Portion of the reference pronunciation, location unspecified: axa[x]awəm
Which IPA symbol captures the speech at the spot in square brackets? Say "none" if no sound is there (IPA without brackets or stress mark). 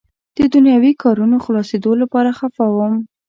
f